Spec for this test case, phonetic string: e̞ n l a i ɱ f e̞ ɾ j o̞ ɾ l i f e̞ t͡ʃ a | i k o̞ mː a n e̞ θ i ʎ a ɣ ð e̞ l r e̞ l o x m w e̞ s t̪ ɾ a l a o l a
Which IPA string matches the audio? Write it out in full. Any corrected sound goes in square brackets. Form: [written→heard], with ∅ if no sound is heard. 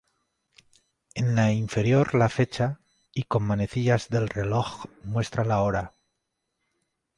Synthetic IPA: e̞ n l a i ɱ f e̞ ɾ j o̞ ɾ l [i→a] f e̞ t͡ʃ a | i k o̞ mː a n e̞ θ i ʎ a [ɣ→z] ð e̞ l r e̞ l o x m w e̞ s t̪ ɾ a l a o [l→ɾ] a